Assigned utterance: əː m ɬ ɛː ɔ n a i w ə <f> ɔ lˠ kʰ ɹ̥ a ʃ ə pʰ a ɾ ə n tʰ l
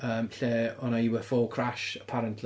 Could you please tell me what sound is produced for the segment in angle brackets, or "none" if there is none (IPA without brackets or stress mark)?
f